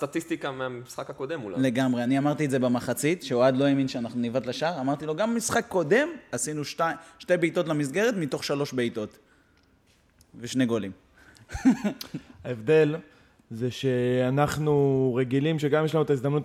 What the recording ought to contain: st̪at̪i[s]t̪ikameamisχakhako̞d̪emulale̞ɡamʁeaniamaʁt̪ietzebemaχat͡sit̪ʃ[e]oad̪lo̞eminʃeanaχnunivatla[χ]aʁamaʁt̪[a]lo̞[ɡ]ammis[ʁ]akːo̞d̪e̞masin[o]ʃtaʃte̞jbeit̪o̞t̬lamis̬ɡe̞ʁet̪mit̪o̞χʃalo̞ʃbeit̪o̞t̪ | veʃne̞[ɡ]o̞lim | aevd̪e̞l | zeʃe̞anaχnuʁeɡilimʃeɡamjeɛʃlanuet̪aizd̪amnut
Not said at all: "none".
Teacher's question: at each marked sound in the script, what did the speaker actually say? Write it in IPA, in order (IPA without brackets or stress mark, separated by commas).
s, e, ʃ, i, ɡ, χ, u, ɡ